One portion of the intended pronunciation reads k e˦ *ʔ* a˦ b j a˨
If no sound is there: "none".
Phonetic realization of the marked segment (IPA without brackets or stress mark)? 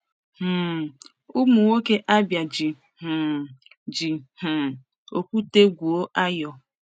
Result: ʔ